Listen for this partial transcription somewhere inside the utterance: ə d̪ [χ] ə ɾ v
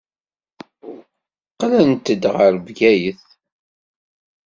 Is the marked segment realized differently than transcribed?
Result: yes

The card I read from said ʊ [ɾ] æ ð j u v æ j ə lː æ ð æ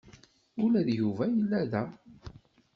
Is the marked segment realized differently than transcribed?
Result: yes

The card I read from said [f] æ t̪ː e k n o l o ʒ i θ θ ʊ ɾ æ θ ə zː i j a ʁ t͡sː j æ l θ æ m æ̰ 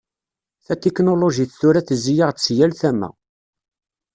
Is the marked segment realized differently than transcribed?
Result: yes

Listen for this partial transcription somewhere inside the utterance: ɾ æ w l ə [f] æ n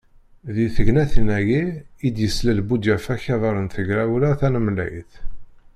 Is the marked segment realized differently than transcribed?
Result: yes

